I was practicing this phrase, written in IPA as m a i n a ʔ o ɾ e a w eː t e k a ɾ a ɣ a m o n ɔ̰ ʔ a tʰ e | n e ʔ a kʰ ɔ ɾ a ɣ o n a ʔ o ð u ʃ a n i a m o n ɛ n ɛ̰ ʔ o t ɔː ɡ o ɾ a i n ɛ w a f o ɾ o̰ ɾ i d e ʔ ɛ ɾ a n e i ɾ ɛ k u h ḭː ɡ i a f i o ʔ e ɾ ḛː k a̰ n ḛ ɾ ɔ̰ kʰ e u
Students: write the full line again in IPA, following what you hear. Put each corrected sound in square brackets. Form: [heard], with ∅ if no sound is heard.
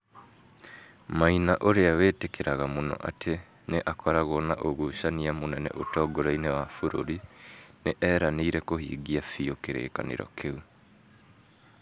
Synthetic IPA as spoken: m a i n a ʔ o ɾ e a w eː t e k [e] ɾ a ɣ a m o n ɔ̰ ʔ a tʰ e | n e ʔ a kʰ ɔ ɾ a ɣ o n a ʔ o [ɣ] u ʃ a n i a m o n ɛ n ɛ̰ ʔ o t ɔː ɡ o ɾ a i n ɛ w a f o ɾ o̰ ɾ i [n] e ʔ ɛ ɾ a n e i ɾ ɛ k [o] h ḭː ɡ i a f i o [k] e ɾ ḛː k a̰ n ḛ ɾ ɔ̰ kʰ e u